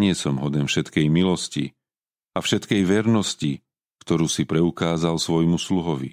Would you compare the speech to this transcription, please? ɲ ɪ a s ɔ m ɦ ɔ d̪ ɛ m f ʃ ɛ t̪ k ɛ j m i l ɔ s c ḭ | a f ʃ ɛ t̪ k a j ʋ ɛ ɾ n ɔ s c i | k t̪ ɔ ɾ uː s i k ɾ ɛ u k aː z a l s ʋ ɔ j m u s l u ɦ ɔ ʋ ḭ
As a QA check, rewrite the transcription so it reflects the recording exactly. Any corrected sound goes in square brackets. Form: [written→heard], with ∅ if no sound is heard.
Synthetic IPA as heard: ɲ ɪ [a→ɛ] s ɔ m ɦ ɔ d̪ ɛ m f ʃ ɛ t̪ k ɛ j m i l ɔ s c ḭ | a f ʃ ɛ t̪ k [a→ɛ] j ʋ ɛ ɾ n ɔ s c i | k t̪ ɔ ɾ uː s i [k→p] ɾ ɛ u k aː z a l s ʋ ɔ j m u s l u ɦ ɔ ʋ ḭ